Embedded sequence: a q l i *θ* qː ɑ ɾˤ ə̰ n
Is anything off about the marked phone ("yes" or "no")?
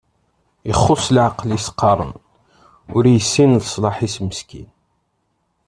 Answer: yes